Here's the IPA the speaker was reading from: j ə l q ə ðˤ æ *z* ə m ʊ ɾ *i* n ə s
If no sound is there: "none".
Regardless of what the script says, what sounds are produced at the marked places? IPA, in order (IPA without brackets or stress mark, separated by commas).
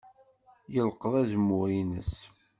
z, i